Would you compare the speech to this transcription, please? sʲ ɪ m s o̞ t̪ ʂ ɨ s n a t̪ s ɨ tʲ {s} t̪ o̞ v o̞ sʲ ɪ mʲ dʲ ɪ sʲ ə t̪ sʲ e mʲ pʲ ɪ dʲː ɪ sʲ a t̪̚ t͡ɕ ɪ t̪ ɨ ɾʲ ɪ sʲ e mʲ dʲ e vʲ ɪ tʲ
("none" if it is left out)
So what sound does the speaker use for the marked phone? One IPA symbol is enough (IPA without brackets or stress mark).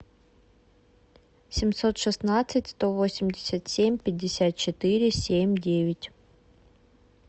s